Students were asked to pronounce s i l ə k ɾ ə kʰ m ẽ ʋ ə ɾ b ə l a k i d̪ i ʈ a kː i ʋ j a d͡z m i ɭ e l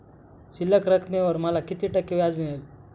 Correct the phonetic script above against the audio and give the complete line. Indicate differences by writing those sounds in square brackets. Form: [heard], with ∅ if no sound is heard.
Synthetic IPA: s i l ə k ɾ ə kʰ m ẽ ʋ ə ɾ [m] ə l a k i [t̪] i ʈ [ə] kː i ʋ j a d͡z m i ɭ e l